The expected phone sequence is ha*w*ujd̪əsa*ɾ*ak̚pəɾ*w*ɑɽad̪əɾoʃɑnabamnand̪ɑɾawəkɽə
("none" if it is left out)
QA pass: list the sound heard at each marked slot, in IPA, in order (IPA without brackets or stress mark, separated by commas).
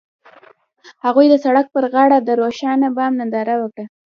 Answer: ɣ, ɽ, ɣ